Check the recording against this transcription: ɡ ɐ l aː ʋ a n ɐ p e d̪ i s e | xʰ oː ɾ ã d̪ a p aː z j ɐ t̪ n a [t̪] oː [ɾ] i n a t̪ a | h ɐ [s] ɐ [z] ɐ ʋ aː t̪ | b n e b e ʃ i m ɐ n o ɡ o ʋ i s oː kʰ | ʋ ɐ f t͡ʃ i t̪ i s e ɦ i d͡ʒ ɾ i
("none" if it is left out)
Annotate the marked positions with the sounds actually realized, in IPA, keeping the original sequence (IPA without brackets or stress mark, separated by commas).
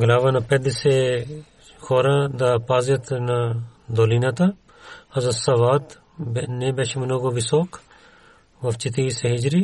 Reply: d̪, l, z, s